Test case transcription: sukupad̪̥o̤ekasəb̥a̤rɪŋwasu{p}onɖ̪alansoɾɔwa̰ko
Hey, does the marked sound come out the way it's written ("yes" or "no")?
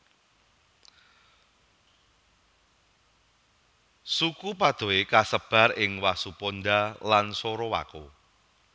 yes